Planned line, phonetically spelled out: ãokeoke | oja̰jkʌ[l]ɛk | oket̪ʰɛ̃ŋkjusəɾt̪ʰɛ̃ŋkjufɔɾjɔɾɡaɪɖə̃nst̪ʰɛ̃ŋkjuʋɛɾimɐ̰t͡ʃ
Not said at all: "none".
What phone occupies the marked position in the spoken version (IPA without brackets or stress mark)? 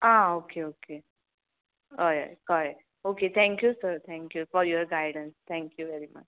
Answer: ɾ